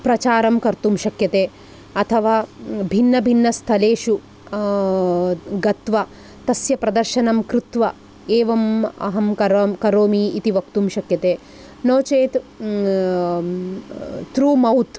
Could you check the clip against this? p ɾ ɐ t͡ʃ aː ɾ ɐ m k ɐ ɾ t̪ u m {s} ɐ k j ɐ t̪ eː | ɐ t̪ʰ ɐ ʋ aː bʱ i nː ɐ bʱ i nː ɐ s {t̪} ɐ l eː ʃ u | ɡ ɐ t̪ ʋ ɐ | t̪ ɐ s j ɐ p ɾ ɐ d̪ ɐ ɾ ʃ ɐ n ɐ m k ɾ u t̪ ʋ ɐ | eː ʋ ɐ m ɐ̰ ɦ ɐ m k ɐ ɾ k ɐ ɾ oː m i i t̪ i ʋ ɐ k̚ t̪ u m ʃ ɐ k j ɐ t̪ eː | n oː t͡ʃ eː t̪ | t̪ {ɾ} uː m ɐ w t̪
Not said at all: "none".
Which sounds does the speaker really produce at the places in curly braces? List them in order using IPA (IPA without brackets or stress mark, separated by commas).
ʃ, t̪ʰ, ɾ